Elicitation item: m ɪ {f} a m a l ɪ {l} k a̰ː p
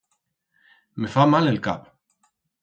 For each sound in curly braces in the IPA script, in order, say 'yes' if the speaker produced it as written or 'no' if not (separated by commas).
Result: yes, yes